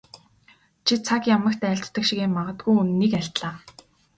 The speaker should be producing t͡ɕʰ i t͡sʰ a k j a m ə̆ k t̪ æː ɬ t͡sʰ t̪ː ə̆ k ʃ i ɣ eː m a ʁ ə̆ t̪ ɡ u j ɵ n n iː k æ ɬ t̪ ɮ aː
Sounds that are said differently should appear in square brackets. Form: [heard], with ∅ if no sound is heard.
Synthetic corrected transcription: t͡ɕʰ i t͡sʰ a k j a m ə̆ k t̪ æː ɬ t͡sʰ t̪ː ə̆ k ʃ i ɣ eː m a ʁ ə̆ t̪ ɡ u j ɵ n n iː k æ ɬ t̪ ɮ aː